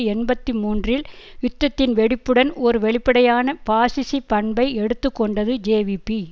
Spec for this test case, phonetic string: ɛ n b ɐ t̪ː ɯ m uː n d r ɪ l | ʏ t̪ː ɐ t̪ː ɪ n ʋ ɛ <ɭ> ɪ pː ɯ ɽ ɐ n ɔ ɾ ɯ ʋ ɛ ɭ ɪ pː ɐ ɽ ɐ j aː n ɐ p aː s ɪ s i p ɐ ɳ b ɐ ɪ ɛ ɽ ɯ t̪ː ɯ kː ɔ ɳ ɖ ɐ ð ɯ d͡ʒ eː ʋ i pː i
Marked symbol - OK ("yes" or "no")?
no